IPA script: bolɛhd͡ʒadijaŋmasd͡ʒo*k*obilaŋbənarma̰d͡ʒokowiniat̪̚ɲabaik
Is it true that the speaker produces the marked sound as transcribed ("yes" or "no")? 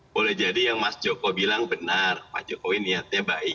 yes